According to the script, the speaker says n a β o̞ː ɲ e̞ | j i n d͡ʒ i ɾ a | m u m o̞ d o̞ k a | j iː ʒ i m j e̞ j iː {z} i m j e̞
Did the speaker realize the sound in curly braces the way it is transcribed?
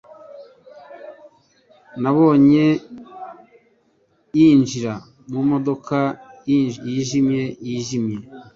no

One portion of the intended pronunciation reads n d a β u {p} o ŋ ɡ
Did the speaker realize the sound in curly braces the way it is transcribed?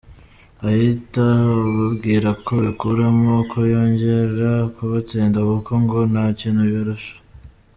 no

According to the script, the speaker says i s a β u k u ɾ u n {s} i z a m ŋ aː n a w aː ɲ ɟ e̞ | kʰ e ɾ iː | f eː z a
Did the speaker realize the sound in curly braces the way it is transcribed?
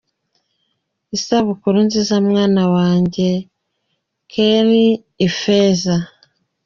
no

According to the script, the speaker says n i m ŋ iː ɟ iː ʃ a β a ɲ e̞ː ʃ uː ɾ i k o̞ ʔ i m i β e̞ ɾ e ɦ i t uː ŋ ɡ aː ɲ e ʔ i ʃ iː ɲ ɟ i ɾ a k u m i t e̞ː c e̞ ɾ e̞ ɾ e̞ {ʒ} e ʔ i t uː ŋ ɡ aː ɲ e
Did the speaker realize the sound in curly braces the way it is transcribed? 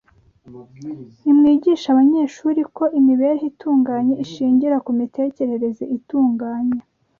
no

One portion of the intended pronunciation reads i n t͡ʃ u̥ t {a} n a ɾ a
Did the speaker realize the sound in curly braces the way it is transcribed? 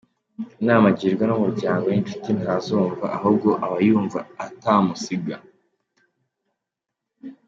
no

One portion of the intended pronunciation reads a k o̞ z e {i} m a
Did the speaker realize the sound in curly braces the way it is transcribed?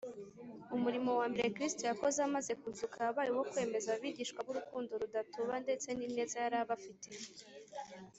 no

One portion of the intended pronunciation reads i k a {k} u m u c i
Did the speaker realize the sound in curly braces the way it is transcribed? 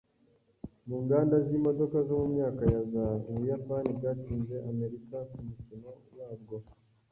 yes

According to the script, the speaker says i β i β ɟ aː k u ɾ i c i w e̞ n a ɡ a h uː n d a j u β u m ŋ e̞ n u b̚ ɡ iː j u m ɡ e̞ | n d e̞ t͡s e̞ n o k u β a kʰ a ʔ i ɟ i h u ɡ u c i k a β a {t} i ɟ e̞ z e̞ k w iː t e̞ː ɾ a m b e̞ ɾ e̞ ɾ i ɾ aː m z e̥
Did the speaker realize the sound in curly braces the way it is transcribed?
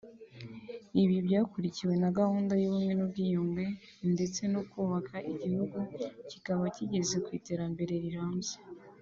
no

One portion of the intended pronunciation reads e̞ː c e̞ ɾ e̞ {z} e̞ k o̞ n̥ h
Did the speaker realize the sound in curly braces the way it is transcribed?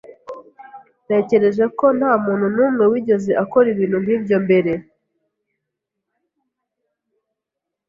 no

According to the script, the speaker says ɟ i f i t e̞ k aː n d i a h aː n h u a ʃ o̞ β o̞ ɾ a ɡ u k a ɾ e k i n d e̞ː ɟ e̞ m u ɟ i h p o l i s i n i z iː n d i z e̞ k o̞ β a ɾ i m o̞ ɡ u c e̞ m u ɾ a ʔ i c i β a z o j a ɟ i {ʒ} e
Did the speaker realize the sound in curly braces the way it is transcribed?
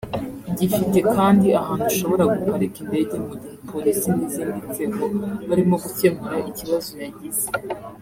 no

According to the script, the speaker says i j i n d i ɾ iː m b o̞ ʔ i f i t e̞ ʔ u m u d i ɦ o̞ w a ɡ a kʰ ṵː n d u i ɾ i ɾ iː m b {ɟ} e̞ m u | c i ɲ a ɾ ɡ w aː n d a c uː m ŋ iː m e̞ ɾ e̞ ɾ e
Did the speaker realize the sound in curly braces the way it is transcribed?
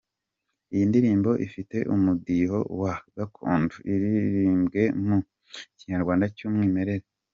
no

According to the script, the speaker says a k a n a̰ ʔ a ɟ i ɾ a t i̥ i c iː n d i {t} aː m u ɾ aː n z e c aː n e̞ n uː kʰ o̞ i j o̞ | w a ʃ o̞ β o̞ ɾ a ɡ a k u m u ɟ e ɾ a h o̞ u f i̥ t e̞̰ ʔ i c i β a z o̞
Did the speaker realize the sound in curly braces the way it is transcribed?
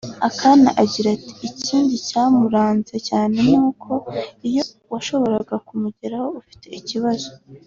no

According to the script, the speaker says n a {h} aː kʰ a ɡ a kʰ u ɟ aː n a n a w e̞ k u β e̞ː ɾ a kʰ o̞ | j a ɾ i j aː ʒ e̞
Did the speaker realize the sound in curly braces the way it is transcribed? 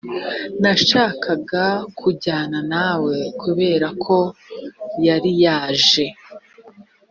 no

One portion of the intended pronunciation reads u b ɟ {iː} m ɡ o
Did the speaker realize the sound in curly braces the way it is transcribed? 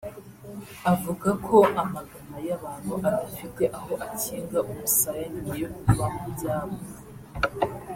no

